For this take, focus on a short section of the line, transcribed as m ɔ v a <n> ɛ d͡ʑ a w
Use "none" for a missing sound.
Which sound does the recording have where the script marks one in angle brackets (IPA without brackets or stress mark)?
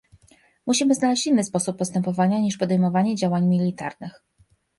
ɲ